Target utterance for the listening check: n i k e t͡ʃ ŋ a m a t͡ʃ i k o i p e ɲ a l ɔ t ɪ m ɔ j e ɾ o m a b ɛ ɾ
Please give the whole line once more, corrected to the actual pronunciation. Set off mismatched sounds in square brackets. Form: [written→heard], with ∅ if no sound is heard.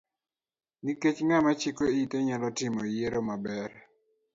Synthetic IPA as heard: n i k e t͡ʃ ŋ a m a t͡ʃ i k o i [p→t] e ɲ a l ɔ t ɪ m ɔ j e ɾ o m a b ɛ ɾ